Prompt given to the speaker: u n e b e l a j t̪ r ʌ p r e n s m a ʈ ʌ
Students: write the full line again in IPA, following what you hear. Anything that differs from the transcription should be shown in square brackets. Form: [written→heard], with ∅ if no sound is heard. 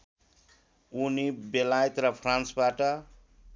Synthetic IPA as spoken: u n [e→i] b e l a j t̪ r ʌ [p→pʰ] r [e→a] n s [m→b] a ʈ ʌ

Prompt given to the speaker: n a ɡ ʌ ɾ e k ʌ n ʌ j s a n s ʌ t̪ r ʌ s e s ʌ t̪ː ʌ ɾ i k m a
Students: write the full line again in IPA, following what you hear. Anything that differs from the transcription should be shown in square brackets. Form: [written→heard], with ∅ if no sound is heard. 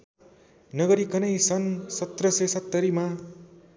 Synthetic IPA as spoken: n [a→ʌ] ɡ ʌ ɾ [e→i] k ʌ n ʌ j s [a→ʌ] n s ʌ t̪ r ʌ s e s ʌ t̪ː ʌ ɾ i [k→∅] m a

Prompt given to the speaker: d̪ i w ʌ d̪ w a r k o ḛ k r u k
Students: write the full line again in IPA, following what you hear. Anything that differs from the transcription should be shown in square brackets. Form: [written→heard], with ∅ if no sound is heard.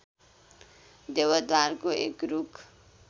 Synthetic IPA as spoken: d̪ [i→e] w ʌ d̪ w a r k o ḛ k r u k

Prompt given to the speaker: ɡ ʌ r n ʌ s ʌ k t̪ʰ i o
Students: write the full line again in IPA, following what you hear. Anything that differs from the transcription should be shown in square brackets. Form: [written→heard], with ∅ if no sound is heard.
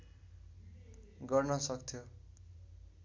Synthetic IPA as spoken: ɡ ʌ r n ʌ s ʌ k t̪ʰ [i→j] o

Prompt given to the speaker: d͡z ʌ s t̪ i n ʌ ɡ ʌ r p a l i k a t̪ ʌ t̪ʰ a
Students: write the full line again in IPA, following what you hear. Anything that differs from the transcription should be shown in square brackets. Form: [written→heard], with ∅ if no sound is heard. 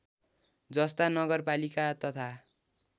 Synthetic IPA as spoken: d͡z ʌ s t̪ [i→a] n ʌ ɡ ʌ r p a l i k a t̪ ʌ t̪ʰ a

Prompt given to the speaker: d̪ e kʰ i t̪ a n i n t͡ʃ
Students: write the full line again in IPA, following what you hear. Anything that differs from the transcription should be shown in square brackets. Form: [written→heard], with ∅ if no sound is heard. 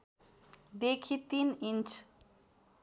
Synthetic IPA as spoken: d̪ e kʰ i t̪ [a→i] n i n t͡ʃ

